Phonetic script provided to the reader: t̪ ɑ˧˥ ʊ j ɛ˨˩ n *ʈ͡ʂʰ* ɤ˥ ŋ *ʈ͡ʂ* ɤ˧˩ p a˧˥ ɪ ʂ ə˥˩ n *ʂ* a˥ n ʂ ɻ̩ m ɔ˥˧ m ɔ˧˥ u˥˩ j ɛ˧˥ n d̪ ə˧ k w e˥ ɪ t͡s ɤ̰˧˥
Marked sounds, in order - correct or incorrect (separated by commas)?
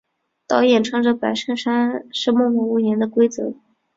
correct, correct, correct